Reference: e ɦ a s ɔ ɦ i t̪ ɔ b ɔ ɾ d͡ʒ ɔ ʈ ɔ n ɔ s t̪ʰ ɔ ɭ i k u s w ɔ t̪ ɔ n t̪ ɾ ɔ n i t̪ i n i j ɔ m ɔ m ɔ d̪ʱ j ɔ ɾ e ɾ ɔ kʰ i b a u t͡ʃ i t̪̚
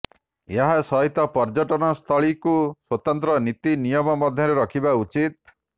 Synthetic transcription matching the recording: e ɦ a s ɔ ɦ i t̪ ɔ p ɔ ɾ d͡ʒ ɔ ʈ ɔ n ɔ s t̪ʰ ɔ ɭ i k u s w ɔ t̪ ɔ n t̪ ɾ ɔ n i t̪ i n i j ɔ m ɔ m ɔ d̪ʱ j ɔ ɾ e ɾ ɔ kʰ i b a u t͡ʃ i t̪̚